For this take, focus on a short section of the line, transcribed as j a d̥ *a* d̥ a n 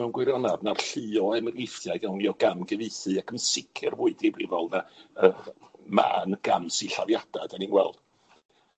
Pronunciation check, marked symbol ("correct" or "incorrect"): correct